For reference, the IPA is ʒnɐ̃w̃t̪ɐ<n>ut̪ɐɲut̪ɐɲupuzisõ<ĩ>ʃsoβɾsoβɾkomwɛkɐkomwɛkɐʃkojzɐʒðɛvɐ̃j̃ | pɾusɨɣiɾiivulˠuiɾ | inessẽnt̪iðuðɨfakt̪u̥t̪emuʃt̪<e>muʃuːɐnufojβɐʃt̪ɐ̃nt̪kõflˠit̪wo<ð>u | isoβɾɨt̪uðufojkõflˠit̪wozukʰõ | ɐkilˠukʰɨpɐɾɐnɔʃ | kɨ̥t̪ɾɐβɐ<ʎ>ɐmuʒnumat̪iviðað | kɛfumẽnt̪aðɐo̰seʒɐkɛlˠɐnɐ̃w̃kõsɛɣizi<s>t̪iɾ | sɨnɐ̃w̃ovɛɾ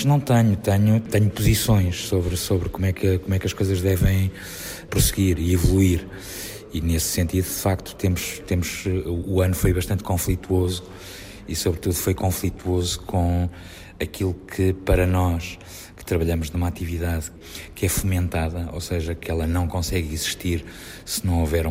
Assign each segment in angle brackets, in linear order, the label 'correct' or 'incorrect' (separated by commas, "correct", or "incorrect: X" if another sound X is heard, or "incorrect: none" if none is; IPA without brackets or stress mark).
incorrect: ɲ, incorrect: j̃, correct, incorrect: z, correct, incorrect: ʃ